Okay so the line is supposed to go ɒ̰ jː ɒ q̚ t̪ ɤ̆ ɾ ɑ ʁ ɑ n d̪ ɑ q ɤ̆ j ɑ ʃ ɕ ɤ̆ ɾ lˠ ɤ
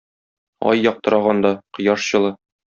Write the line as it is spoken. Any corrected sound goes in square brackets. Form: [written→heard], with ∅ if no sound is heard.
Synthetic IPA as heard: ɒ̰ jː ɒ q̚ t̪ ɤ̆ ɾ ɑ ʁ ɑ n d̪ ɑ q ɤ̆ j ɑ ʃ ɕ ɤ̆ [ɾ→∅] lˠ ɤ